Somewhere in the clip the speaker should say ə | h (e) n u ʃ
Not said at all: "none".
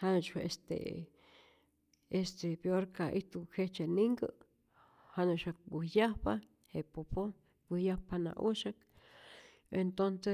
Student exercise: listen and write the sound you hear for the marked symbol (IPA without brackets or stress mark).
a